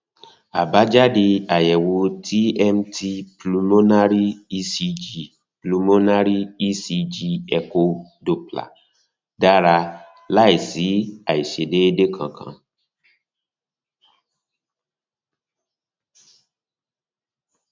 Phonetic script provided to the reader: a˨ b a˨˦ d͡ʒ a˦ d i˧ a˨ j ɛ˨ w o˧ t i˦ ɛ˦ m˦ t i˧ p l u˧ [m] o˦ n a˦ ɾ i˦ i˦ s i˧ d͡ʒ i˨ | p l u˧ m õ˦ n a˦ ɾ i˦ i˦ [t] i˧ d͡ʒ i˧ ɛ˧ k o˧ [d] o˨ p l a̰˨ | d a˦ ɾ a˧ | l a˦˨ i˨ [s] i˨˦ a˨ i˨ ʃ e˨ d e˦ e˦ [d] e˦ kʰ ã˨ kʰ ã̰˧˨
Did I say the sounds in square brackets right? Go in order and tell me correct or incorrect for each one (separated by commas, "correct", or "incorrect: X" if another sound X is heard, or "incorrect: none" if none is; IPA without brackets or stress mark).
correct, incorrect: s, correct, correct, correct